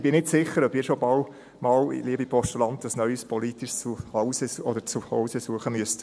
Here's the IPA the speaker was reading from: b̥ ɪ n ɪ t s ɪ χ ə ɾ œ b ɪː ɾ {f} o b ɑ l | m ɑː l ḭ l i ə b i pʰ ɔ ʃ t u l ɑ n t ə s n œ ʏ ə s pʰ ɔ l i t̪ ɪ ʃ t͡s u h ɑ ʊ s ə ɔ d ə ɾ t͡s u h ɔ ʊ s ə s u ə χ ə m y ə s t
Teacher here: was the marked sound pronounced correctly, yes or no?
no